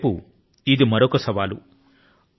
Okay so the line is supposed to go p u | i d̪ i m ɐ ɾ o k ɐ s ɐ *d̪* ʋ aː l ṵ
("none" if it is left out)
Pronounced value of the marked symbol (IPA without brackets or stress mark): none